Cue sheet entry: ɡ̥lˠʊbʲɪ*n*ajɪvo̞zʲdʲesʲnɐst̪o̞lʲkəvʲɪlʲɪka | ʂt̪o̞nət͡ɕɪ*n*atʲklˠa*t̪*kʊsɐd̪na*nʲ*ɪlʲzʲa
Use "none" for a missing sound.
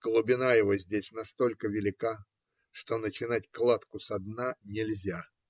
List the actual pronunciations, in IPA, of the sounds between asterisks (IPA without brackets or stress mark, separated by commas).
n, n, t̪, nʲ